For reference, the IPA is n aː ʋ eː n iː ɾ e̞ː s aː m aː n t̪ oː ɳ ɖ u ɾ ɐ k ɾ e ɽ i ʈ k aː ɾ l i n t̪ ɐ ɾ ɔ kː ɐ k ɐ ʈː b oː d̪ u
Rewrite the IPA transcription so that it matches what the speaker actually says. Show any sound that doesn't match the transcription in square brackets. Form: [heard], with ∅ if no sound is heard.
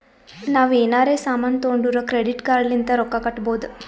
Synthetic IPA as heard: n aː ʋ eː n [aː] ɾ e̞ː s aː m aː n t̪ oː ɳ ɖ u ɾ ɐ k ɾ e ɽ i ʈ k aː ɾ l i n t̪ ɐ ɾ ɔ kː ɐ k ɐ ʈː b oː d̪ u